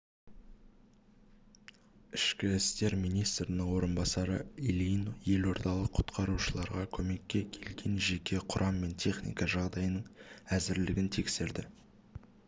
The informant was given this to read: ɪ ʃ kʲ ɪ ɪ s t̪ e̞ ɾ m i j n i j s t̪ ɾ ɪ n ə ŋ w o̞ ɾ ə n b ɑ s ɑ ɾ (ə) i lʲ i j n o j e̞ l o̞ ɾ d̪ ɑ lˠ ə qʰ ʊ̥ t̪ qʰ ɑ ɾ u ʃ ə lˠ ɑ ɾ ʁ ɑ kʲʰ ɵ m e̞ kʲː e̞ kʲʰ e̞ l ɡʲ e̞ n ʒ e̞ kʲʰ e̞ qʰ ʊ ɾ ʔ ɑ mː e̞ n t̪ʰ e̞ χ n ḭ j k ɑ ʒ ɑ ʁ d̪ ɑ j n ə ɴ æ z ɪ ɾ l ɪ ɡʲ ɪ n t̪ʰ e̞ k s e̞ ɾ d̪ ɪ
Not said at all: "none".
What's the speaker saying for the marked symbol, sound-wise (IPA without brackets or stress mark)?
ə